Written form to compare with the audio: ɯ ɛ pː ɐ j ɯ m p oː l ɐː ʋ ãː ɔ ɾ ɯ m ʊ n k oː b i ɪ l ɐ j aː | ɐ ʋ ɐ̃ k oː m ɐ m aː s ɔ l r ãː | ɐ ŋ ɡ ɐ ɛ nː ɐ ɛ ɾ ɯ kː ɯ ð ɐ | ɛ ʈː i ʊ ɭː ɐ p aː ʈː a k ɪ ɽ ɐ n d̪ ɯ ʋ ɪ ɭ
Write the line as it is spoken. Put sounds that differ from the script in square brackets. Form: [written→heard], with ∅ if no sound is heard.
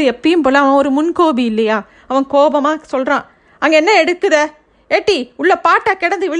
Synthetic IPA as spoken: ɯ ɛ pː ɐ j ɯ m p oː l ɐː ʋ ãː ɔ ɾ ɯ m ʊ n k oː b i ɪ [l→lː] ɐ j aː | ɐ ʋ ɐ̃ k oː [m→b] ɐ m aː s ɔ l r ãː | ɐ ŋ ɡ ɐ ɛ nː ɐ ɛ [ɾ→ɽ] ɯ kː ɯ ð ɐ | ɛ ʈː i ʊ ɭː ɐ p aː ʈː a k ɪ ɽ ɐ n d̪ ɯ ʋ ɪ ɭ